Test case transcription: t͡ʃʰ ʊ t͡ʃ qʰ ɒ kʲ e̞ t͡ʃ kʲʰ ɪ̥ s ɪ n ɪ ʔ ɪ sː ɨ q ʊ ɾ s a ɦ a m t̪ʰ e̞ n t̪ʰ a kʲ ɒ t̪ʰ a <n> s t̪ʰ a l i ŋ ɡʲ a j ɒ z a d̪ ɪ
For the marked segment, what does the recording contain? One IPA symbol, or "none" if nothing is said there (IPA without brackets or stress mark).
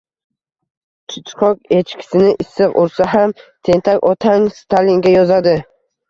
ŋ